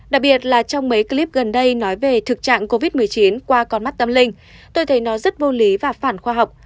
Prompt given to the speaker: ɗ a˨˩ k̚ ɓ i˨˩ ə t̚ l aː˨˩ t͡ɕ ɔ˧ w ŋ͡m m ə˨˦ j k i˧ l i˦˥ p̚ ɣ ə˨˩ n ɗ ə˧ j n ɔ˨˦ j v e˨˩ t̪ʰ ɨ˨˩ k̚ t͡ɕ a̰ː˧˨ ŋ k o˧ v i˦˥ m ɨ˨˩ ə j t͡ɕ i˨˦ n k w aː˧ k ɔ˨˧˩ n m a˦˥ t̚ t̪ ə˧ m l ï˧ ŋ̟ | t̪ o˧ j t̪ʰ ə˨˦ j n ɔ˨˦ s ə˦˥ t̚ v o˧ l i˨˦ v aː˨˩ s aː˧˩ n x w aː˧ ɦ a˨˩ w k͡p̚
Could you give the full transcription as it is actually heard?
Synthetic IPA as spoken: ɗ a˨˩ k̚ ɓ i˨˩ ə t̚ l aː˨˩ t͡ɕ ɔ˧ w ŋ͡m m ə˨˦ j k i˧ l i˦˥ p̚ ɣ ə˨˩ n ɗ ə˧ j n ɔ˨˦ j v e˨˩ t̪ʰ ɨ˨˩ k̚ t͡ɕ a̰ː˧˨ ŋ k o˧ v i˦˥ m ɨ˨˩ ə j t͡ɕ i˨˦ n k w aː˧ k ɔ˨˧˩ n m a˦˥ t̚ t̪ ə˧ m l ï˧ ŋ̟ | t̪ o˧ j t̪ʰ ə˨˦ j n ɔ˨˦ z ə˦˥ t̚ v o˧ l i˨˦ v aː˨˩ f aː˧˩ n x w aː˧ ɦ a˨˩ w k͡p̚